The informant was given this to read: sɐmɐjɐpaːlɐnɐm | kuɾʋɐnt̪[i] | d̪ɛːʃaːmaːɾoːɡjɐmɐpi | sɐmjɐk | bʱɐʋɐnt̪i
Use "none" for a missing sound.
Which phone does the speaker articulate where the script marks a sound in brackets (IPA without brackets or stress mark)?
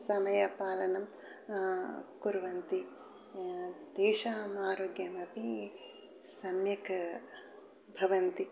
i